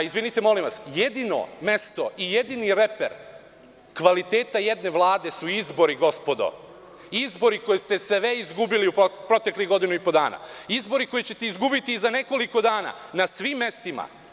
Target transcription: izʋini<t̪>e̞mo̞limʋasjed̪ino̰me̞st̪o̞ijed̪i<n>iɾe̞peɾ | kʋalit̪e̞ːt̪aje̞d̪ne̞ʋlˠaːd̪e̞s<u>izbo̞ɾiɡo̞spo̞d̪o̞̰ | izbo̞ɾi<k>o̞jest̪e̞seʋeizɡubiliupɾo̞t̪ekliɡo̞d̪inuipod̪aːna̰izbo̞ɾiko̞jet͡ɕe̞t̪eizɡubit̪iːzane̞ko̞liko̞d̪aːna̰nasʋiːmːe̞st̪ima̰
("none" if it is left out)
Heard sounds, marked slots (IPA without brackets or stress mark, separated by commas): t̪, n, u, k